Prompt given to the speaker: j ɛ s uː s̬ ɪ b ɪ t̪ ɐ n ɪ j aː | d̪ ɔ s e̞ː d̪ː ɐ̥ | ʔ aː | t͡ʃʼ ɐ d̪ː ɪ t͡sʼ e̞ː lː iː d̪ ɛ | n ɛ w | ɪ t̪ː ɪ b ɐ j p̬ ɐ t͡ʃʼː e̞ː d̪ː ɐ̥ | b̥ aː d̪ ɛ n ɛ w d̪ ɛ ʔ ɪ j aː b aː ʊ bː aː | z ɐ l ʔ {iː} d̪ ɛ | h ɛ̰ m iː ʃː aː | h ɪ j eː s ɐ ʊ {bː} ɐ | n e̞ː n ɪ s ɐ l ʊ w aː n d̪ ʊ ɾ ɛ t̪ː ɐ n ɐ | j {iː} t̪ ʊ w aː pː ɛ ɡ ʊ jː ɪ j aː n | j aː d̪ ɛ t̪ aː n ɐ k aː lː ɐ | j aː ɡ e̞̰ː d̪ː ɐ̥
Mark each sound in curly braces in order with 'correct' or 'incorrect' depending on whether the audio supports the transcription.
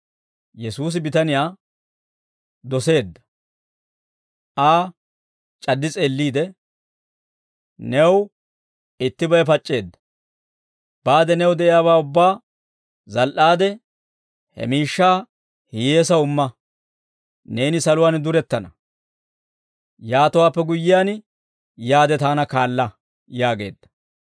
incorrect: aː, incorrect: mː, incorrect: aː

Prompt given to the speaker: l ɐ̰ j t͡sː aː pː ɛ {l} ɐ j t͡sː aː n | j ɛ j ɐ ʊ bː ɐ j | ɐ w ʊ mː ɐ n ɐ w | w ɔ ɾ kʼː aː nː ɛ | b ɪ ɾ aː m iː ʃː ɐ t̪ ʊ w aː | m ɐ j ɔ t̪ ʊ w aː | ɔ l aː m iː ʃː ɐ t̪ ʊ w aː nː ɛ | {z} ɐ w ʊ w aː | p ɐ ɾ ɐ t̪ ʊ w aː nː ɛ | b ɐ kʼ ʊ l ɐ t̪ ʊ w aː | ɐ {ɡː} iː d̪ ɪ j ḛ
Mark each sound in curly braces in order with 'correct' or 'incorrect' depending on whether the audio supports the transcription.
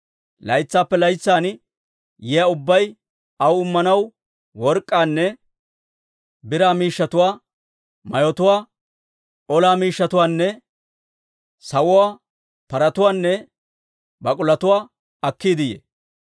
correct, incorrect: s, incorrect: kː

